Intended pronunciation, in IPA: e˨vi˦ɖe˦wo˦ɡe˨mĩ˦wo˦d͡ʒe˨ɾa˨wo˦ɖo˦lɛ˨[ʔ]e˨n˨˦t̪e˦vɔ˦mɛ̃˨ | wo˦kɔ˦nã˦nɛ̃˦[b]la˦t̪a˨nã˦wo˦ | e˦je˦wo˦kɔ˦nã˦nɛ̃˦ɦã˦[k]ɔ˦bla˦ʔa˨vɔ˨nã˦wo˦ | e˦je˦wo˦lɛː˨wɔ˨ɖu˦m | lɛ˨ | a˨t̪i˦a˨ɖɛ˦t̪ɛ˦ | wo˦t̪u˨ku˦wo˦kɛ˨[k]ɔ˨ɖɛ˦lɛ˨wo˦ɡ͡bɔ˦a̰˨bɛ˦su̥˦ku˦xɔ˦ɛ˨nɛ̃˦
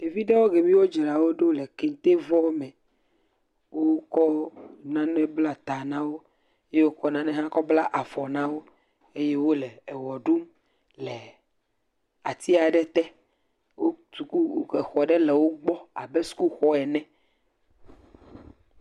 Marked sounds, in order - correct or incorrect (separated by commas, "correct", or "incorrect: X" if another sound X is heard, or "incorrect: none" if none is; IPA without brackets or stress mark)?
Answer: incorrect: k, correct, correct, incorrect: x